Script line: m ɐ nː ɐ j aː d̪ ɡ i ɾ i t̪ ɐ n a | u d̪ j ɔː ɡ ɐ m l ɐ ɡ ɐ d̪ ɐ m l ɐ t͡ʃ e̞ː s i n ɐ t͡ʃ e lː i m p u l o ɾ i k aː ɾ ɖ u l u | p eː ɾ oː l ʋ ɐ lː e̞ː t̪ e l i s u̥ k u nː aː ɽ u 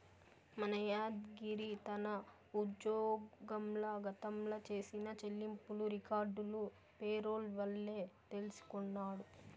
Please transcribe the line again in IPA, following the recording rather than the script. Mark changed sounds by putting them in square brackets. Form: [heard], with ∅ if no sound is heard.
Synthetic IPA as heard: m ɐ [n] ɐ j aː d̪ ɡ i ɾ i t̪ ɐ n [ɐ] | u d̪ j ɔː ɡ ɐ m l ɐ ɡ ɐ [t̪] ɐ m l ɐ t͡ʃ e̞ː s i n ɐ t͡ʃ e lː i m p u l [u] ɾ i k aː ɾ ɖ u l u | p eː ɾ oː l ʋ ɐ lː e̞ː t̪ e l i s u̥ k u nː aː ɽ u